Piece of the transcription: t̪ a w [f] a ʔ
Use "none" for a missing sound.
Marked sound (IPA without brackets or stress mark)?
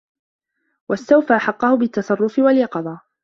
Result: f